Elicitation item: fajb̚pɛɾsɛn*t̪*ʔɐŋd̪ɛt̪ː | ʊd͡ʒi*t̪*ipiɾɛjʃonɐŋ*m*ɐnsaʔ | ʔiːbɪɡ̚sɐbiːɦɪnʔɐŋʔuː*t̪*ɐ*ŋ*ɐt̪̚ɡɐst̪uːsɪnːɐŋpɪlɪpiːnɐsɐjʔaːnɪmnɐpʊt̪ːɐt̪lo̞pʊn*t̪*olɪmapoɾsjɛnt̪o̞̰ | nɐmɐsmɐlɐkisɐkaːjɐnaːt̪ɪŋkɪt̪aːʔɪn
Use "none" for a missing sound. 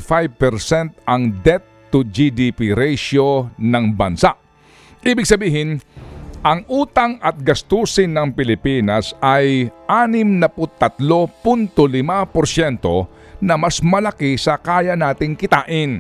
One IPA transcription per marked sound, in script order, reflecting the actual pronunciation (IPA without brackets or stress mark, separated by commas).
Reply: t̪, d̪, b, t̪, ŋ, t̪